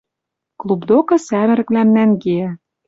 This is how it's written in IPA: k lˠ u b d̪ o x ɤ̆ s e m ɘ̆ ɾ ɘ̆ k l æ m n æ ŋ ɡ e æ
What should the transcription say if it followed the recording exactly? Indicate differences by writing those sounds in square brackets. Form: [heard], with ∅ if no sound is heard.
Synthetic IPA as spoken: k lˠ u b d̪ o [k] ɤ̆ s [æ] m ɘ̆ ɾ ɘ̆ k l æ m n æ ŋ ɡ e æ

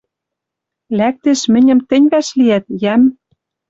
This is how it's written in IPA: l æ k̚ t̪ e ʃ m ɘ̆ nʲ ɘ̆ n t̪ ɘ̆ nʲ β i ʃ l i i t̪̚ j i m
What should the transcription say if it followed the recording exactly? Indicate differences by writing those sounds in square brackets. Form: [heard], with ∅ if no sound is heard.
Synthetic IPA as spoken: l æ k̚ t̪ e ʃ m ɘ̆ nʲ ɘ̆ [m] t̪ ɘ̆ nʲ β [æ] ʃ l i [æ] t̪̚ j [æ] m

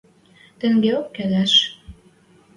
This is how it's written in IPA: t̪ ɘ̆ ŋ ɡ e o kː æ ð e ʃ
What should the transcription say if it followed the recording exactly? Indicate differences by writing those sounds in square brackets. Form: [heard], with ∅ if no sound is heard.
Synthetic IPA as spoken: t̪ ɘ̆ ŋ ɡ e o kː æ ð [æ] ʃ

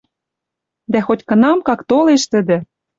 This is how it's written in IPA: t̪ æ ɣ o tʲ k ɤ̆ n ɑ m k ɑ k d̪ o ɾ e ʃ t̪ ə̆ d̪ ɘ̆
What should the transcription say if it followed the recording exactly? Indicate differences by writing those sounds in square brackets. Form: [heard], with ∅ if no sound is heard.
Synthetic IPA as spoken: [d̪] æ [x] o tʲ k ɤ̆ n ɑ m k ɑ k [t̪] o [l] e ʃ t̪ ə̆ d̪ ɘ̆

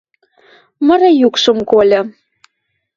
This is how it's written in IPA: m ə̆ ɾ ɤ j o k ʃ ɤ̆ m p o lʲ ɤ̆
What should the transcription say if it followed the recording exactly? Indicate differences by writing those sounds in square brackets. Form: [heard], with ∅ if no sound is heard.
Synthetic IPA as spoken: m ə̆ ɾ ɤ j [u] k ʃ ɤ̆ m [k] o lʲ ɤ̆

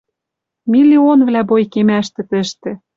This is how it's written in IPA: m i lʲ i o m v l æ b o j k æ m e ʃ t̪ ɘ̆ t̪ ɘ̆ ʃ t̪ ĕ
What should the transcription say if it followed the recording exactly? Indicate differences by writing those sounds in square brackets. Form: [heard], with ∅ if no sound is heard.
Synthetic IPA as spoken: m i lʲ i o [n] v l æ b o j k [e] m [æ] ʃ t̪ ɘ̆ t̪ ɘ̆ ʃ t̪ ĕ

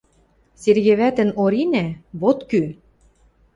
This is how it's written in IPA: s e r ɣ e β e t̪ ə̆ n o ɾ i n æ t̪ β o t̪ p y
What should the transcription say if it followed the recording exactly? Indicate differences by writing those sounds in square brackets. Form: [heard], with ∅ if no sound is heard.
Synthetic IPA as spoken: s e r ɣ e β [æ] t̪ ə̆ n o ɾ i n æ [∅] β o t̪ [k] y

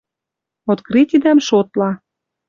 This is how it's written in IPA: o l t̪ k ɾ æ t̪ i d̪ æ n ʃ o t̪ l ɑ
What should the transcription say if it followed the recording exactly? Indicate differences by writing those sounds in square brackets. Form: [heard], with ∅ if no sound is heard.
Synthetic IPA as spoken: o [∅] t̪ k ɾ [i] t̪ i d̪ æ [m] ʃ o t̪ l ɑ

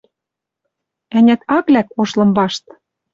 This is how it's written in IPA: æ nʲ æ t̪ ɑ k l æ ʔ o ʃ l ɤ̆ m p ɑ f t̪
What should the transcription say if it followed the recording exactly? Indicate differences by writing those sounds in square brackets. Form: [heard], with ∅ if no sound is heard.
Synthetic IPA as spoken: æ nʲ æ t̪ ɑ k l æ [k] o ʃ l ɤ̆ m [b] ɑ [ʃ] t̪

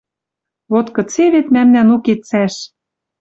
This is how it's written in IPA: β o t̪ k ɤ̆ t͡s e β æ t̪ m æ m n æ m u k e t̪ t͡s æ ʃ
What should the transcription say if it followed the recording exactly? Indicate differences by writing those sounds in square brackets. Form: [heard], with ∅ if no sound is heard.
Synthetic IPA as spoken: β o t̪ k ɤ̆ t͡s e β [e] t̪ m æ m n æ [n] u k e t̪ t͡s æ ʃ

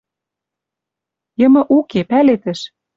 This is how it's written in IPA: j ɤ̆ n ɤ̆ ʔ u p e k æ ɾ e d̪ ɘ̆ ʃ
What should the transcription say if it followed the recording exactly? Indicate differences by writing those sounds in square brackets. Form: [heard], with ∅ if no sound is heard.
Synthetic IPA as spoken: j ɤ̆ [m] ɤ̆ ʔ u [k] e [p] æ [l] e [t̪] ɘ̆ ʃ

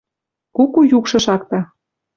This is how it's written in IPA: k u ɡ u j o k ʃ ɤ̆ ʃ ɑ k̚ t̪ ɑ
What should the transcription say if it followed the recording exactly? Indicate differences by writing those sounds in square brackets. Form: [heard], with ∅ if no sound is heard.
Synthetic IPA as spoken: k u [k] u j [u] k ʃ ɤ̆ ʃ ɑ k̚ t̪ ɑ

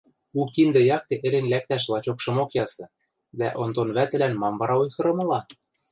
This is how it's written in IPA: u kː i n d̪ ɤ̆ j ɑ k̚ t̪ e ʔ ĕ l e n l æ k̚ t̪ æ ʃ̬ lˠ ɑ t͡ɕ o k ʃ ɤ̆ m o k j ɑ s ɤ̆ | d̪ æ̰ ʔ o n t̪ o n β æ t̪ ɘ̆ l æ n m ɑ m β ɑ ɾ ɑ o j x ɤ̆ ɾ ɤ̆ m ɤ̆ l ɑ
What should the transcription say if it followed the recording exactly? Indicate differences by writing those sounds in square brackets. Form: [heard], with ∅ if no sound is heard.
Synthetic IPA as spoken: u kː i n d̪ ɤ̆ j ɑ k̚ t̪ e ʔ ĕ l e n l æ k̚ t̪ æ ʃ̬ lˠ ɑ t͡ɕ o k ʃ ɤ̆ m o k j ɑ s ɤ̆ | d̪ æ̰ ʔ o n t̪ o n β æ t̪ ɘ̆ l æ n m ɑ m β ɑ ɾ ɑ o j x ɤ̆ ɾ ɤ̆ m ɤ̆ l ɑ

